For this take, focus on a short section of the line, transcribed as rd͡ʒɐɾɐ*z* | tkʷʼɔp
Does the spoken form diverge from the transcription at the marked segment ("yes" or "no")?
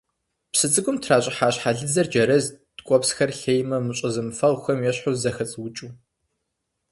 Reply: no